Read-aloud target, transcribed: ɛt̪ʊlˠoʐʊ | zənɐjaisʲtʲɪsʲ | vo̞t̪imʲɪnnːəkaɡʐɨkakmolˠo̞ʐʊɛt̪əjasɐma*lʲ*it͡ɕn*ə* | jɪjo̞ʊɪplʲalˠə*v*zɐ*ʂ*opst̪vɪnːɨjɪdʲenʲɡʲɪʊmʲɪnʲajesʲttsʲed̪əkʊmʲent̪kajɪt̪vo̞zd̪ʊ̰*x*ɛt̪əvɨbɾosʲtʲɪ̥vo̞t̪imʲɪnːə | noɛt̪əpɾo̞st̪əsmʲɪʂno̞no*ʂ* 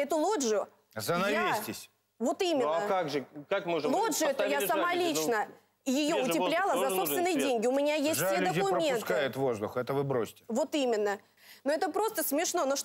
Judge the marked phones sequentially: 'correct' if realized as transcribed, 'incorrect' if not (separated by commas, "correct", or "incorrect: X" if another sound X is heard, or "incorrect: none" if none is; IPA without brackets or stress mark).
correct, correct, incorrect: z, incorrect: s, correct, correct